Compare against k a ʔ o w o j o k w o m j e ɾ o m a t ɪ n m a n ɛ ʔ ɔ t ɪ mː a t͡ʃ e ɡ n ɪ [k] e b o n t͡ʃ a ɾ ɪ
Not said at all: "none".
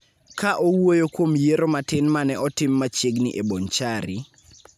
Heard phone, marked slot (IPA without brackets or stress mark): ʔ